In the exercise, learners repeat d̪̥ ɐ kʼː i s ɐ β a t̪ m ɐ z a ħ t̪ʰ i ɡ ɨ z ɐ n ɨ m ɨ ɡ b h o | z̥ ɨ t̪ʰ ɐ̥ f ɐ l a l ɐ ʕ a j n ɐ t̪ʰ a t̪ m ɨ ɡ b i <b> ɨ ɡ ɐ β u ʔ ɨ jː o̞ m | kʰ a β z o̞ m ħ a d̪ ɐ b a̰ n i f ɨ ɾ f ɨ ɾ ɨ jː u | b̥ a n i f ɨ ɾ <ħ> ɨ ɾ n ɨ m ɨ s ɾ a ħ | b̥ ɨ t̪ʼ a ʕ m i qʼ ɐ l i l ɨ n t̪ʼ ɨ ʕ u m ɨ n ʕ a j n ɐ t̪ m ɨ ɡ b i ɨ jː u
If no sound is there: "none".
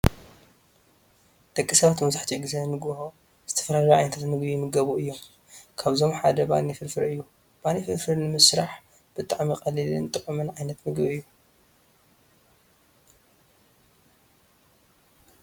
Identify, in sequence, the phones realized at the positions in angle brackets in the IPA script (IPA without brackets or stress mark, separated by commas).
m, f